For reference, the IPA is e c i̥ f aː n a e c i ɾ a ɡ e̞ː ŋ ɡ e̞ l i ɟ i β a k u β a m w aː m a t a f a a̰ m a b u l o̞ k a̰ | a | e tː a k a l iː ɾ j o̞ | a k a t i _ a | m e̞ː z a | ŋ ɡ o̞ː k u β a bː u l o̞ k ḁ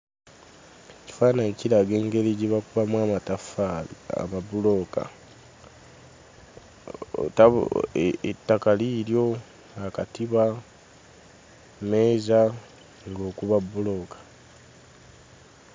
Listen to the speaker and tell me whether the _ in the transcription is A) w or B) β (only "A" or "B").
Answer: B